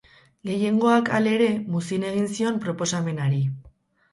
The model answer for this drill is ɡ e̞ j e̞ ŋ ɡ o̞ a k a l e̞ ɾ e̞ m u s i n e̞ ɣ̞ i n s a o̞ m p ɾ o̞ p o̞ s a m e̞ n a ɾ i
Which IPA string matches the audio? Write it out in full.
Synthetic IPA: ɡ e̞ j e̞ ŋ ɡ o̞ a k a l e̞ ɾ e̞ m u s i n e̞ ɣ̞ i n s i o̞ m p ɾ o̞ p o̞ s a m e̞ n a ɾ i